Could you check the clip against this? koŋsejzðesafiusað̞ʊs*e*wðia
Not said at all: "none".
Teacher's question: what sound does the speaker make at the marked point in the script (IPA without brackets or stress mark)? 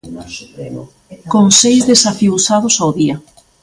a